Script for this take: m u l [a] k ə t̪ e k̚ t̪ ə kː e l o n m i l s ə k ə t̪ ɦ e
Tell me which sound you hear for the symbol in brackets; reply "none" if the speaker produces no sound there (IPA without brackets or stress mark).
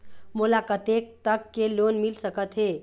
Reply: a